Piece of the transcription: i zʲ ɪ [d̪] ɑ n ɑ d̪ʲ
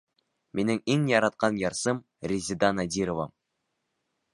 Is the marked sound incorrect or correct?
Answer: correct